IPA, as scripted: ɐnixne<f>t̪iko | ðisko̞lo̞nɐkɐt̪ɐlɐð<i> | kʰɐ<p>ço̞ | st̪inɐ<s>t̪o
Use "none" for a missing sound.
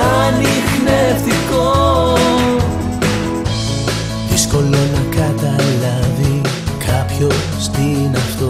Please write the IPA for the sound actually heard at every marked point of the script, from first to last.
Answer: f, i, p, f

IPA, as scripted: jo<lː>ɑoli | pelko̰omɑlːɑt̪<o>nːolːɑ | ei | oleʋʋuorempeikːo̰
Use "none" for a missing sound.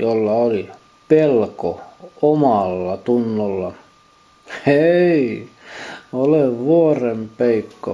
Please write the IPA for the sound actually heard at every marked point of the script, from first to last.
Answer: lː, u

